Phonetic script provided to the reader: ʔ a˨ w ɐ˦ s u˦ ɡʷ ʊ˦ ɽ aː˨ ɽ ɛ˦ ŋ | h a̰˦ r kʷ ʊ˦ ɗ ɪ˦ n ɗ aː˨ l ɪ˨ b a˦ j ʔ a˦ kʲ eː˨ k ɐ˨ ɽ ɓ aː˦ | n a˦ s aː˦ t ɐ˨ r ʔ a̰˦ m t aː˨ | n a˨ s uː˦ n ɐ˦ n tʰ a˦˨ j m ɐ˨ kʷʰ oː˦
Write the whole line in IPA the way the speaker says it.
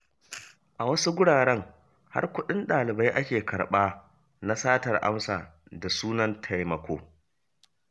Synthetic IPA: ʔ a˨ w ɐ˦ s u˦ ɡʷ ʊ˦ ɽ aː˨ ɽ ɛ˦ ŋ | h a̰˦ r kʷ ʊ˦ ɗ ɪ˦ n ɗ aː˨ l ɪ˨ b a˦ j ʔ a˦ kʲ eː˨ k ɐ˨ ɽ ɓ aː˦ | n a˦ s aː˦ t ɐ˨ r ʔ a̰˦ m s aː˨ | d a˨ s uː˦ n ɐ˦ n tʰ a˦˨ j m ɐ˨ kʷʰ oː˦